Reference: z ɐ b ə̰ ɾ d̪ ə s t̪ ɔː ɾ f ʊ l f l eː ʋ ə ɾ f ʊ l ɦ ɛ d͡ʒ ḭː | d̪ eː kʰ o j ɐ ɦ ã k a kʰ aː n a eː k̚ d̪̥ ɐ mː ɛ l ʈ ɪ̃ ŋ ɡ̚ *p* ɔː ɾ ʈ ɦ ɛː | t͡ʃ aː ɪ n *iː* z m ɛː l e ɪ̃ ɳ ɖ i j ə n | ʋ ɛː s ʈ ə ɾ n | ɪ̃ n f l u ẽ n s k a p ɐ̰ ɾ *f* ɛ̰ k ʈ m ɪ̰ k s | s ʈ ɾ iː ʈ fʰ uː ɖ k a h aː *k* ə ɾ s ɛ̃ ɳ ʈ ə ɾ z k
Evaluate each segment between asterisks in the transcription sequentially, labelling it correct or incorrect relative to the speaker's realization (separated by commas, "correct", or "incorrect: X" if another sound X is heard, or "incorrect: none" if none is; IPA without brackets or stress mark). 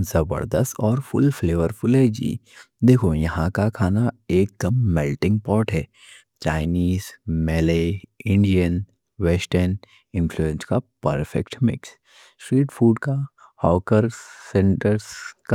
correct, correct, correct, correct